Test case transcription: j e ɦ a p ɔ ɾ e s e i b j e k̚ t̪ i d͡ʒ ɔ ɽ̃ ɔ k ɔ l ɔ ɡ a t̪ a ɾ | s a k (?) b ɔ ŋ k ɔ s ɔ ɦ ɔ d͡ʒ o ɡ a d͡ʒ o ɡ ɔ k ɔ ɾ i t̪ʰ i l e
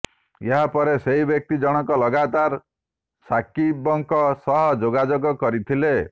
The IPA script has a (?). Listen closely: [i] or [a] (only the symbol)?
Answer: i